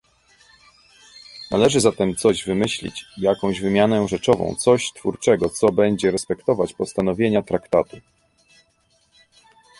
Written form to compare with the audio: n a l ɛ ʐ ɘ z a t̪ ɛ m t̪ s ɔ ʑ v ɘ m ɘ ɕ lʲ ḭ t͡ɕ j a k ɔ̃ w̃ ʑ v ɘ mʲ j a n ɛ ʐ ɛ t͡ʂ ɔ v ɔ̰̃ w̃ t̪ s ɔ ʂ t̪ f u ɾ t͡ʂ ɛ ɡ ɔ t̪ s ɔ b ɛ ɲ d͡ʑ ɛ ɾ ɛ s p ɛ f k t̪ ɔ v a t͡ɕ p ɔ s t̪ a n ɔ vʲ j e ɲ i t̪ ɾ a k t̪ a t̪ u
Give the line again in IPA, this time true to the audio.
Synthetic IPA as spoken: n a l ɛ ʐ ɘ z a t̪ ɛ m t̪ s ɔ ʑ v ɘ m ɘ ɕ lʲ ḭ t͡ɕ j a k ɔ̃ w̃ ʑ v ɘ mʲ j a n ɛ ʐ ɛ t͡ʂ ɔ v ɔ̰̃ w̃ t̪ s ɔ ɕ t̪ f u ɾ t͡ʂ ɛ ɡ ɔ t̪ s ɔ b ɛ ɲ d͡ʑ ɛ ɾ ɛ s p ɛ k t̪ ɔ v a t͡ɕ p ɔ s t̪ a n ɔ vʲ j e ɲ a t̪ ɾ a k t̪ a t̪ u